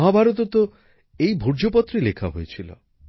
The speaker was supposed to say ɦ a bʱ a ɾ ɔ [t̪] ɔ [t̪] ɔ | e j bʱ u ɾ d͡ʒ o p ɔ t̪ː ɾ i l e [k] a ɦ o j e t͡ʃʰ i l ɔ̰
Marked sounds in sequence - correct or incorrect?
correct, correct, incorrect: kʰ

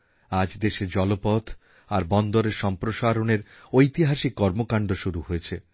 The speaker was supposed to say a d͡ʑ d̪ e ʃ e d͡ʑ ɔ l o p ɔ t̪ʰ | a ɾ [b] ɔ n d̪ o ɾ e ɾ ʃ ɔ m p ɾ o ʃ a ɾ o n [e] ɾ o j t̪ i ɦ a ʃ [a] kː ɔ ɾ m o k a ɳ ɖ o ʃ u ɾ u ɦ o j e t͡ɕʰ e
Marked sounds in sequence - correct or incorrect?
correct, correct, incorrect: i

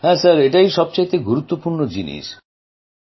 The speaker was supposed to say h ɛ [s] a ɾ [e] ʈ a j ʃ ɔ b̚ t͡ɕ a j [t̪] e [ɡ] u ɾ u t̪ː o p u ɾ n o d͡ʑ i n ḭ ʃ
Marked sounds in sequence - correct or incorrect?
correct, correct, correct, correct

